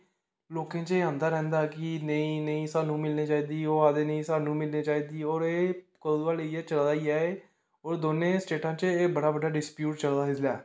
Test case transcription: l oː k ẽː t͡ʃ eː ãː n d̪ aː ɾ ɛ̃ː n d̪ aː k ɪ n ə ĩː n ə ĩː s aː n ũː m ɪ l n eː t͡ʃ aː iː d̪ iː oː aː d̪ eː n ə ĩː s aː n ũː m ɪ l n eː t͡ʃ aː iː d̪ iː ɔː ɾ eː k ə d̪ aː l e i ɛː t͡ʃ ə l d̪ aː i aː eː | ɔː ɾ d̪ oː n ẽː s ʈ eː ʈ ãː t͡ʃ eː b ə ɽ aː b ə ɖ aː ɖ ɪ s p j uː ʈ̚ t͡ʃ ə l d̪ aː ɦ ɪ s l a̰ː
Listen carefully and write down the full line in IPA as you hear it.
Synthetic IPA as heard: l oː k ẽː t͡ʃ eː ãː n d̪ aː ɾ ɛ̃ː n d̪ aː k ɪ n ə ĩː n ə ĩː s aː n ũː m ɪ l n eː t͡ʃ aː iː d̪ iː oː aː d̪ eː n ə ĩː s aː n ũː m ɪ l n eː t͡ʃ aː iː d̪ iː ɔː ɾ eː k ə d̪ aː l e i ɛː t͡ʃ ə l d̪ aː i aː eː | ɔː ɾ d̪ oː n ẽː s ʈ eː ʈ ãː t͡ʃ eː b ə ɽ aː b ə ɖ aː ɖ ɪ s p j uː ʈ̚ t͡ʃ ə l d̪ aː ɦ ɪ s l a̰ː